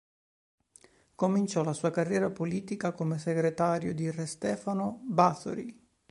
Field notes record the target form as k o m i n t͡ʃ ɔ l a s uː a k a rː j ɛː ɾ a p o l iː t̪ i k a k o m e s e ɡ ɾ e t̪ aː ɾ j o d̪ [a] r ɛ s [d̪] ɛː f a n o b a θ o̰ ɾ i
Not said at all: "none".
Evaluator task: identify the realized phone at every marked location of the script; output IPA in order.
i, t̪

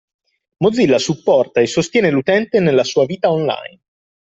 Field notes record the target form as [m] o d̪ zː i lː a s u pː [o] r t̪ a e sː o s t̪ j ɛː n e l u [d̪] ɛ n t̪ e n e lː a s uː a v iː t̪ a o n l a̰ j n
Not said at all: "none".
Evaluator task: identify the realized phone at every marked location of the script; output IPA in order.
m, ɔ, t̪

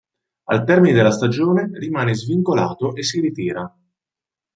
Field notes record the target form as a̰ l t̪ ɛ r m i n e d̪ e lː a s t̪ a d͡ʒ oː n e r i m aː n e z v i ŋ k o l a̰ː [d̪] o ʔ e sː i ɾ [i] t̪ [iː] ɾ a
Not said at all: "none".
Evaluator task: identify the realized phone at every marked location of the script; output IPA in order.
t̪, i, iː

